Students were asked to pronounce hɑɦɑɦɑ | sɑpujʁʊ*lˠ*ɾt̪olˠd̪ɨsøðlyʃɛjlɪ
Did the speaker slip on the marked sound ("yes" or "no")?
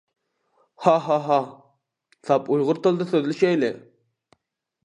yes